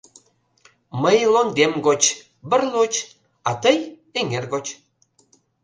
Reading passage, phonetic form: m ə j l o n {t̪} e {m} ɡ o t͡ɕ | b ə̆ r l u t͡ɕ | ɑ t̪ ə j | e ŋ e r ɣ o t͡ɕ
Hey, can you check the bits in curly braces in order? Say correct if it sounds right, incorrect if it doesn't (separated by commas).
incorrect, correct